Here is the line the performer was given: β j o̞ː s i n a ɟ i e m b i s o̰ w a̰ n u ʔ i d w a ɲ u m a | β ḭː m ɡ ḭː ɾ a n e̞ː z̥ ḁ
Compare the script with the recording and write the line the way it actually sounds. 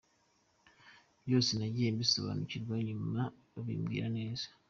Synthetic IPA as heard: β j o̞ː s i n a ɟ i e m b i s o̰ β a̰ n u c i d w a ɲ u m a | β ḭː m ɡ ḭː ɾ a n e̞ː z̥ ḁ